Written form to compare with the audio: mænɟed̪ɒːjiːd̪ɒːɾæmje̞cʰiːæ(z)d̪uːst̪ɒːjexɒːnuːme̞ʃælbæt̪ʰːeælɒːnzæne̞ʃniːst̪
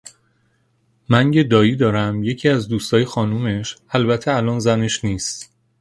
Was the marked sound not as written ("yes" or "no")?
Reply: no